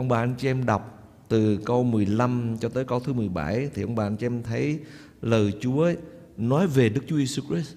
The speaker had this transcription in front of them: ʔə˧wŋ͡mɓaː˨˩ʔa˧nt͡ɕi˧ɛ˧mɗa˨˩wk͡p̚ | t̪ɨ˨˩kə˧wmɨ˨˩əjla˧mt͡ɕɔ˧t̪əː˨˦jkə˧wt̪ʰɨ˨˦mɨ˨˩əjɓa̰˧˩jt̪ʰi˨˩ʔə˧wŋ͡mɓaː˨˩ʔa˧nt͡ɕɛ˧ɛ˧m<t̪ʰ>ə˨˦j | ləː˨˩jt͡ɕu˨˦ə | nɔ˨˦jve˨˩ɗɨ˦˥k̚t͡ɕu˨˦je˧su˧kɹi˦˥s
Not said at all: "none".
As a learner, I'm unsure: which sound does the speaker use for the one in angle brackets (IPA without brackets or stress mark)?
t̪ʰ